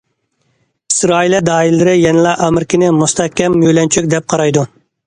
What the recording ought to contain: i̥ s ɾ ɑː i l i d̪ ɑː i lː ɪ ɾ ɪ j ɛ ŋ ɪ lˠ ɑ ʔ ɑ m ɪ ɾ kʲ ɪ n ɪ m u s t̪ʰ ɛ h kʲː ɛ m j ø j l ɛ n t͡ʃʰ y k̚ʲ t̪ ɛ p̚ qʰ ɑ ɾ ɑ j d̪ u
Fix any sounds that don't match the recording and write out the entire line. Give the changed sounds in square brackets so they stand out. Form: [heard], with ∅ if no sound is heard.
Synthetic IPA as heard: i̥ s ɾ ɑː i l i d̪ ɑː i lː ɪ ɾ ɪ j ɛ [n] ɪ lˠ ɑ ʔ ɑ m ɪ ɾ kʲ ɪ n ɪ m u s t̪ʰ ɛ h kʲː ɛ m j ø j l ɛ n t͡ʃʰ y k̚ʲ [d̪] ɛ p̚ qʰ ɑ ɾ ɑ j d̪ u